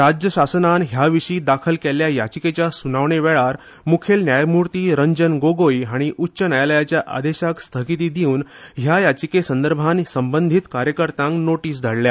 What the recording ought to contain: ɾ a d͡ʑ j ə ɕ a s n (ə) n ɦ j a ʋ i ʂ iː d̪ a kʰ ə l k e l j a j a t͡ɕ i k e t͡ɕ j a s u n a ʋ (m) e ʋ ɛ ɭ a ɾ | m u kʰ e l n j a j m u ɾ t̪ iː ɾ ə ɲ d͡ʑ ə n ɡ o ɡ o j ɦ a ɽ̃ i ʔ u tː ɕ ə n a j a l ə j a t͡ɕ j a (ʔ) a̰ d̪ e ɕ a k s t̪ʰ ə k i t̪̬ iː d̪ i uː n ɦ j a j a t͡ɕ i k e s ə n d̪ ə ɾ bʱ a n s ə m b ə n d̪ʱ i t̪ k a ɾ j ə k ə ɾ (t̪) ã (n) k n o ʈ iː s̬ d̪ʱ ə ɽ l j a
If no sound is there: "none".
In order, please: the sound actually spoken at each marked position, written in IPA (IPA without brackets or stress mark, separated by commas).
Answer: a, ɳ, ʔ, t̪, ŋ